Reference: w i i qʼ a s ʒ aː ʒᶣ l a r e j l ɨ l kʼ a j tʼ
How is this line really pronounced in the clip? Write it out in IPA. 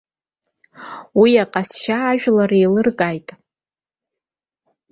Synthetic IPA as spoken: w i a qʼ a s ʃ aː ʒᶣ l a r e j l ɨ r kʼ a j tʼ